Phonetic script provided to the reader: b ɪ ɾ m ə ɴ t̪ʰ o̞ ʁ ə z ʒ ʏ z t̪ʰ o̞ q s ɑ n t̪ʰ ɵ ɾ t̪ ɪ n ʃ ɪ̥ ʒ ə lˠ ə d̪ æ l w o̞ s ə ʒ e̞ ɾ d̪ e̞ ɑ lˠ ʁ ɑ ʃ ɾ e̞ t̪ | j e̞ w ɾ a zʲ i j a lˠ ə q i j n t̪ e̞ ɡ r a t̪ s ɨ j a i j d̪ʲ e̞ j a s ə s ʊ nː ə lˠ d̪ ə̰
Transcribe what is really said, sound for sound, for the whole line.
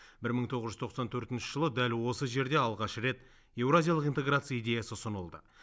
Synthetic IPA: b ɪ ɾ m ə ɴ t̪ʰ o̞ ʁ ə z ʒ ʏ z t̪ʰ o̞ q s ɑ n t̪ʰ ɵ ɾ t̪ ɪ n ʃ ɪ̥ ʒ ə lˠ ə d̪ æ l w o̞ s ə ʒ e̞ ɾ d̪ e̞ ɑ lˠ ʁ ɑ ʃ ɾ e̞ t̪ | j e̞ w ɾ a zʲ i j a lˠ ə q i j n t̪ e̞ ɡ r a t̪ s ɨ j a i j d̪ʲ e̞ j a s ə s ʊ n ə lˠ d̪ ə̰

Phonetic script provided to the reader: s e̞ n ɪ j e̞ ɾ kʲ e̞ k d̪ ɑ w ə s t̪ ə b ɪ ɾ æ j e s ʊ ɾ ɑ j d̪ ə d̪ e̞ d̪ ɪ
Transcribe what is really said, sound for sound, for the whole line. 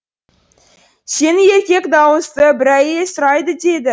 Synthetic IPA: s e̞ n ɪ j e̞ ɾ kʲ e̞ k d̪ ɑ w ə s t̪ ə b ɪ ɾ æ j e s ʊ ɾ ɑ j d̪ ə d̪ e̞ d̪ ɪ

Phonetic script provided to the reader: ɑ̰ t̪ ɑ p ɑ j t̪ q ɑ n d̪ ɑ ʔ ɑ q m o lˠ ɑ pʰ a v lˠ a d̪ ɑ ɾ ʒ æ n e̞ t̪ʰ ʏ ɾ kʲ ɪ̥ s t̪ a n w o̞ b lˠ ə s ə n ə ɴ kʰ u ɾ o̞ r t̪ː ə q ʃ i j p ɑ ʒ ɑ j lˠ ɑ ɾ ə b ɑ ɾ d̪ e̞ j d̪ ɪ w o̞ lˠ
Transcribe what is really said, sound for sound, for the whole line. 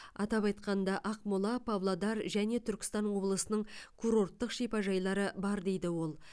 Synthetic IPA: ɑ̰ t̪ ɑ p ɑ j t̪ q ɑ n d̪ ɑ ʔ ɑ q m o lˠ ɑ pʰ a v lˠ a d̪ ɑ ɾ ʒ æ n e̞ t̪ʰ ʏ ɾ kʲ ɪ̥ s t̪ ɑ n w o̞ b lˠ ə s ə n ə ɴ kʰ u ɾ o̞ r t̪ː ə q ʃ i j p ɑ ʒ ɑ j lˠ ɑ ɾ ə b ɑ ɾ d̪ e̞ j d̪ ɪ w o̞ lˠ

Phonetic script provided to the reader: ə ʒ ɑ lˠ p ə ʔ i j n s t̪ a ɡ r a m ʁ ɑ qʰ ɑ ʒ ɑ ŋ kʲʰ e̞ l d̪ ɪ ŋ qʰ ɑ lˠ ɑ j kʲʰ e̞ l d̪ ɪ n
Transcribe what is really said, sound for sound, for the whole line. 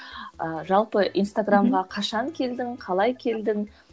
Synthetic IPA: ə ʒ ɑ lˠ p ə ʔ i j n s t̪ a ɡ r a m ʁ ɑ qʰ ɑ ʃ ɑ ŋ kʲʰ e̞ l d̪ ɪ ŋ qʰ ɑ lˠ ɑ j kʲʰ e̞ l d̪ ɪ ŋ

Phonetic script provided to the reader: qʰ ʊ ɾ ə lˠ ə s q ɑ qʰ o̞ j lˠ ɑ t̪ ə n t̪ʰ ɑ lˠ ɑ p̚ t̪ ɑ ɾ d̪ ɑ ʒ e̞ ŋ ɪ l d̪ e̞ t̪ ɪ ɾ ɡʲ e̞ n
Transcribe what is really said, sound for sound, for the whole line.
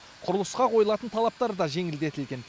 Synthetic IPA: qʰ ʊ ɾ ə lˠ ə s q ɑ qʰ o̞ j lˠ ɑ t̪ ə n t̪ʰ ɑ lˠ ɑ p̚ t̪ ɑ ɾ d̪ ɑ ʒ e̞ ŋ ɪ l d̪ e̞ t̪ ɪ l ɡʲ e̞ n

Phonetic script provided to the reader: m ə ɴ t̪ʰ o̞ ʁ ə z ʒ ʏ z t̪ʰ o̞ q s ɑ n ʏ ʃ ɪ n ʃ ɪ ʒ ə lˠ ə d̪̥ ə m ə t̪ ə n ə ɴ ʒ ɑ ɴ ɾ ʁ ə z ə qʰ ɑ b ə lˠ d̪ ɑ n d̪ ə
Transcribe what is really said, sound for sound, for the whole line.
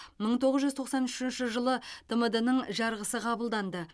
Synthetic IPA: m ə ɴ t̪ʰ o̞ ʁ ə z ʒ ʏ z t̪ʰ o̞ q s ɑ n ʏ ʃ ɪ n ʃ ɪ ʒ ə lˠ ə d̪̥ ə m ə d̪ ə n ə ɴ ʒ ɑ ɾ ʁ ə s ə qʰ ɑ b ə lˠ d̪ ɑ n d̪ ə

